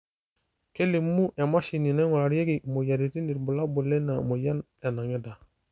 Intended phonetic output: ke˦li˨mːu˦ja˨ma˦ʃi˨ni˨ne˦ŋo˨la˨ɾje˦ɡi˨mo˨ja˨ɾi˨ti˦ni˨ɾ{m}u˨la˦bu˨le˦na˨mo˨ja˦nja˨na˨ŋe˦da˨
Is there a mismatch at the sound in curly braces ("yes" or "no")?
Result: yes